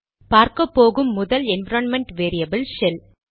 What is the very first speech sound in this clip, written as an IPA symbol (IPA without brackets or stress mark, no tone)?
p